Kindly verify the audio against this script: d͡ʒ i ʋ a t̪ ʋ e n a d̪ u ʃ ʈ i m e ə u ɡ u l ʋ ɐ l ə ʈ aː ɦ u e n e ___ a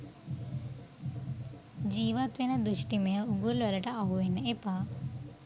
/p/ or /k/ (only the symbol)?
p